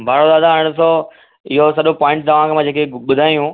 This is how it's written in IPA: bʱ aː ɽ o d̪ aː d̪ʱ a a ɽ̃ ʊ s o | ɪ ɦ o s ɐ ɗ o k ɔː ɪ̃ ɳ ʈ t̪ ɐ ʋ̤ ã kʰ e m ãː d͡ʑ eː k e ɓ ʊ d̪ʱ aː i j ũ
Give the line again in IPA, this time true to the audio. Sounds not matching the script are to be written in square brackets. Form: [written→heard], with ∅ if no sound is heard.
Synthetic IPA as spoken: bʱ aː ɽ o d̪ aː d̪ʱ a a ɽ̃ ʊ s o | ɪ ɦ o s ɐ ɗ o [k→p] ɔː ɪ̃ ɳ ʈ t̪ ɐ ʋ̤ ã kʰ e m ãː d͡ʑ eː k e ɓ ʊ d̪ʱ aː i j ũ